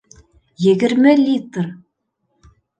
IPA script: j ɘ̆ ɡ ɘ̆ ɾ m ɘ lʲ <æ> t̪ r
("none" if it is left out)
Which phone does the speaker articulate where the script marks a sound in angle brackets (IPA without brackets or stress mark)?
i